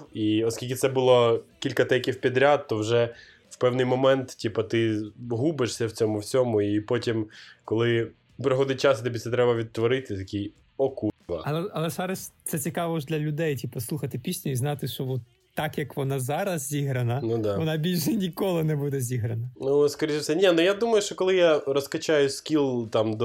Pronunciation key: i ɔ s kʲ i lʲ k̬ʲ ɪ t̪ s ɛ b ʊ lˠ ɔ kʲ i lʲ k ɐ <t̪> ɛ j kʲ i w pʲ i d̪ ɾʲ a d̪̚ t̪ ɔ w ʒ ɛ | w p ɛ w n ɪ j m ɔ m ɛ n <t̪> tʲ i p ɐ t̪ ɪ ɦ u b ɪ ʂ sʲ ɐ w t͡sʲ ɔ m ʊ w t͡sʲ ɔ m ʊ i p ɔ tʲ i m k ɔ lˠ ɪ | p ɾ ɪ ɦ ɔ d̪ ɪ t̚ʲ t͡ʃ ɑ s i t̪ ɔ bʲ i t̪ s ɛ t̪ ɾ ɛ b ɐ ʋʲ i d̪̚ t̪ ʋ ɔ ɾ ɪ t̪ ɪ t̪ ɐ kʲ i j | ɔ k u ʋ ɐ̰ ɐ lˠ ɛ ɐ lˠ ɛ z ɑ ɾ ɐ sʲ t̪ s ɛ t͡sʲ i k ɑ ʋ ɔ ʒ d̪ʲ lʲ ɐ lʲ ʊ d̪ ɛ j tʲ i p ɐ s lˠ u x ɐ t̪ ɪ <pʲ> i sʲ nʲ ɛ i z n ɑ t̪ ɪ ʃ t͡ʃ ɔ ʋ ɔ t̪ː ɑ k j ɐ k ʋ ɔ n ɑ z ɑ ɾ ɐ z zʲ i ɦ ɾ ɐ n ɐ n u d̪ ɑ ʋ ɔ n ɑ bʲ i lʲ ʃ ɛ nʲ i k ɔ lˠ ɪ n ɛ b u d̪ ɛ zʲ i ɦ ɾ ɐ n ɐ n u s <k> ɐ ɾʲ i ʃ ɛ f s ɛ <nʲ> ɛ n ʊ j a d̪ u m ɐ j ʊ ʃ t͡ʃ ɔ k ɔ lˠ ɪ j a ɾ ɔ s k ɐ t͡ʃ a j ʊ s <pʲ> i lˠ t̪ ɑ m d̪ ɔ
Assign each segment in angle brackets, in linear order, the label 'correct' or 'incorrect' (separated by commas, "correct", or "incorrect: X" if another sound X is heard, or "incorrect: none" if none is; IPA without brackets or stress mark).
correct, correct, correct, correct, correct, incorrect: kʲ